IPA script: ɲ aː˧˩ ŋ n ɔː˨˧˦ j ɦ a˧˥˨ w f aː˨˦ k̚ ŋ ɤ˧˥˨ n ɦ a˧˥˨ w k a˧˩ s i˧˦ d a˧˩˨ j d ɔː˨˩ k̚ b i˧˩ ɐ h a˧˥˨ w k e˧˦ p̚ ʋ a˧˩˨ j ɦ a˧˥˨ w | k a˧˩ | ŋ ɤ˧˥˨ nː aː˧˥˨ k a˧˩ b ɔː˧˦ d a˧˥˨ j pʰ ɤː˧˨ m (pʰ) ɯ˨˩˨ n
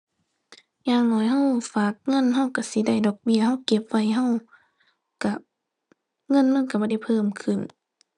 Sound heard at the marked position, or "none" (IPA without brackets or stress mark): kʰ